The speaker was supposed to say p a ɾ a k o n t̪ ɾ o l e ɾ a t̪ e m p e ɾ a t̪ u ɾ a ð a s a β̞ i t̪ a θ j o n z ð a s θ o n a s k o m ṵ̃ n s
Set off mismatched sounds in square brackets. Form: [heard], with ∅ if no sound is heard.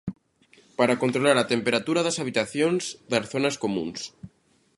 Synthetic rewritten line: p a ɾ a k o n t̪ ɾ o l [a] ɾ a t̪ e m p e ɾ a t̪ u ɾ a ð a s a β̞ i t̪ a θ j o n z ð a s θ o n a s k o m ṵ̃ n s